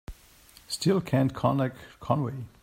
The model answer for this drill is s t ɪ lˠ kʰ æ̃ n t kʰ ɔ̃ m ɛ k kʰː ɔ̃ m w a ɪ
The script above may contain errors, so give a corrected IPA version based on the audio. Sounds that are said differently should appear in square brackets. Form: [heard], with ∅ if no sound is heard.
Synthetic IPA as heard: s t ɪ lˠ kʰ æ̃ n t kʰ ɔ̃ [n] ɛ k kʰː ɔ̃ [n] w [e] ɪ